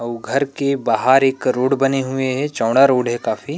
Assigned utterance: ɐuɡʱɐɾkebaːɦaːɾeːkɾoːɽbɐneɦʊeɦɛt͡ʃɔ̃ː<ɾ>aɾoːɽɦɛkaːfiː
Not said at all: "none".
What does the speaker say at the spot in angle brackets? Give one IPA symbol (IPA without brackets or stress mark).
ɽ